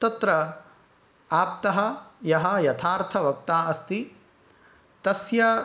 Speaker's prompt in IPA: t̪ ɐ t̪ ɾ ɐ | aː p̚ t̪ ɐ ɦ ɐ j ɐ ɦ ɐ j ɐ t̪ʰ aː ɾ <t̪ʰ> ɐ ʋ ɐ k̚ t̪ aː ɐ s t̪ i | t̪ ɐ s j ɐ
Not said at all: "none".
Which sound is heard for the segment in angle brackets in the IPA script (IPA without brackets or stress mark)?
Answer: t̪ʰ